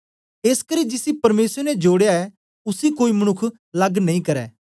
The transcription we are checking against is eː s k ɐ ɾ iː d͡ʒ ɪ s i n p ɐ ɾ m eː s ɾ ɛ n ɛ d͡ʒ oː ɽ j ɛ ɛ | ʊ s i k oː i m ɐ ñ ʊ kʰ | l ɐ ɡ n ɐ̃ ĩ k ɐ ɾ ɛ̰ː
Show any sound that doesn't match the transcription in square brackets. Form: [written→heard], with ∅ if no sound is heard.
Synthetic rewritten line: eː s k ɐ ɾ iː d͡ʒ ɪ s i [n→∅] p ɐ ɾ m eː s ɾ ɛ n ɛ d͡ʒ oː ɽ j [ɛ→a] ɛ | ʊ s i k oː i m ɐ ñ ʊ kʰ | l ɐ ɡ n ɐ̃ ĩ k ɐ ɾ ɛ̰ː